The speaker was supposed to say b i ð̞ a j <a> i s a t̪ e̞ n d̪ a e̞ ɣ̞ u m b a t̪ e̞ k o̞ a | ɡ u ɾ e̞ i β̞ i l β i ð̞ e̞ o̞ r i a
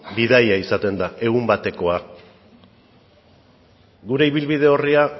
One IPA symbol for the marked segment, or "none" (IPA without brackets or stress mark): a